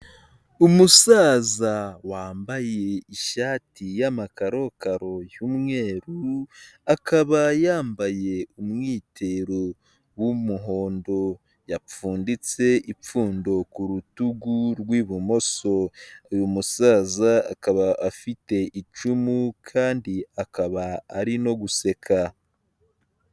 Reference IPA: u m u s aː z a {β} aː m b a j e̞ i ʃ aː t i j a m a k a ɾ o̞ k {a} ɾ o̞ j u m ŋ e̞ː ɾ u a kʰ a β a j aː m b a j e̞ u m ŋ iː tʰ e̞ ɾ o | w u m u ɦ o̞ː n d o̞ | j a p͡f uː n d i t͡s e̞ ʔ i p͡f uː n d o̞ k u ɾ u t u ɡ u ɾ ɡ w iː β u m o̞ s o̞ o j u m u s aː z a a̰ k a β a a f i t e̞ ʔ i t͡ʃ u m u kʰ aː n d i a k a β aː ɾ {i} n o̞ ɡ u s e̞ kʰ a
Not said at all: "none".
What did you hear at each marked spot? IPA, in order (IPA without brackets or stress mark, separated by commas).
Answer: w, a, i